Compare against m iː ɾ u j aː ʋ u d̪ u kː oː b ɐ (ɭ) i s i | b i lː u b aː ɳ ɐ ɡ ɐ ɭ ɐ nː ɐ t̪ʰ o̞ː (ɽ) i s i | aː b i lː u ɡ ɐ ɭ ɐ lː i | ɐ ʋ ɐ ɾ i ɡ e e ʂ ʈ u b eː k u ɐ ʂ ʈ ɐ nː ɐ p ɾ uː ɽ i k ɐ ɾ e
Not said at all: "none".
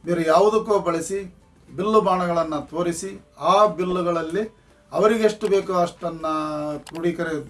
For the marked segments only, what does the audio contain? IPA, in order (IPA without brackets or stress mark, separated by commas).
ɭ, ɾ